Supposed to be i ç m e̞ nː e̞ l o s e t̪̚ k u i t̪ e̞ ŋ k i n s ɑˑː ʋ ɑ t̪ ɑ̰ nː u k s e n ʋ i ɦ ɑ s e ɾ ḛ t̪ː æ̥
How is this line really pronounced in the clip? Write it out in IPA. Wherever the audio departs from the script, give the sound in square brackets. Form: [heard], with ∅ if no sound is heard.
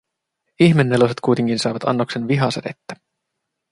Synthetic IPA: i ç m e̞ nː e̞ l o s e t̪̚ k u [j] t̪ e̞ ŋ k i n s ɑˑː ʋ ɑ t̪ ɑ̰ nː [o] k s e n ʋ i ɦ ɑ s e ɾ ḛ t̪ː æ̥